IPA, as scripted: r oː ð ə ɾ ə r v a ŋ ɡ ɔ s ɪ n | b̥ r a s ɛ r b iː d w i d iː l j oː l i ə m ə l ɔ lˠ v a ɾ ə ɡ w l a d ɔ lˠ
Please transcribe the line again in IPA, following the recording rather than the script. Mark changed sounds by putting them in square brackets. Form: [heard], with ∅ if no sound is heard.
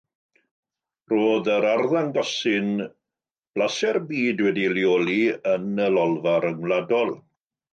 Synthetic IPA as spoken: r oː ð ə ɾ [a] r [ð] a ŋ ɡ ɔ s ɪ n | b̥ [l] a s ɛ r b iː d w [ɛ] d [i] l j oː l i ə [n] ə l ɔ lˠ v a ɾ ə [ŋ] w l a d ɔ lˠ